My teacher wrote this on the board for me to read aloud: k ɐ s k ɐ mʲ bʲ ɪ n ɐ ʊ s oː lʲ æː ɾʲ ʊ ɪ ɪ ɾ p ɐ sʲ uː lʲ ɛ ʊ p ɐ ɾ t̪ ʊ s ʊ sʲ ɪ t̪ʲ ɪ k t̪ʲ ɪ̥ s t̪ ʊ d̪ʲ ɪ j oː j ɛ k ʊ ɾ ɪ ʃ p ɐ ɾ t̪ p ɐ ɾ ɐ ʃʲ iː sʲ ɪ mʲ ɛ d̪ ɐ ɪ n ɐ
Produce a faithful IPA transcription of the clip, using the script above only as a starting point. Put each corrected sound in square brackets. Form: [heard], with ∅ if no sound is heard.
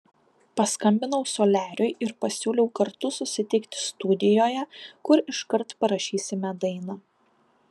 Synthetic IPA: [p] ɐ s k ɐ mʲ bʲ ɪ n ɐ ʊ s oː lʲ æː ɾʲ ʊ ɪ ɪ ɾ p ɐ sʲ uː lʲ ɛ ʊ [k] ɐ ɾ t̪ ʊ s ʊ sʲ ɪ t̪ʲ ɪ k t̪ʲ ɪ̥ s t̪ ʊ d̪ʲ ɪ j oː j ɛ k ʊ ɾ ɪ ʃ [k] ɐ ɾ t̪ p ɐ ɾ ɐ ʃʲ iː sʲ ɪ mʲ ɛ d̪ ɐ ɪ n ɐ